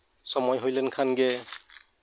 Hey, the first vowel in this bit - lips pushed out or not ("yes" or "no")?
yes